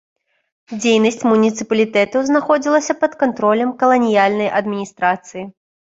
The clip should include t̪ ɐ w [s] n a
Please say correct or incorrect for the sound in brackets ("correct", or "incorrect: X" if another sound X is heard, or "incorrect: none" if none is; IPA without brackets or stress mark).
incorrect: z